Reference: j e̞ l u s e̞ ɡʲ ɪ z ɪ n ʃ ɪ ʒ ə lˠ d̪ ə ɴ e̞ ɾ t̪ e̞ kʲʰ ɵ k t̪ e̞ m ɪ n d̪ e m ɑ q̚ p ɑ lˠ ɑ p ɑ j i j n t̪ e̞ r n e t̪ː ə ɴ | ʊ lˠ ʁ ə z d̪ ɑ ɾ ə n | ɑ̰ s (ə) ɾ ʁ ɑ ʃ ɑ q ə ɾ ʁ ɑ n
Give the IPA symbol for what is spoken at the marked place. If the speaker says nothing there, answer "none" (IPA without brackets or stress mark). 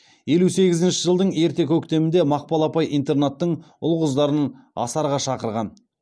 ɑ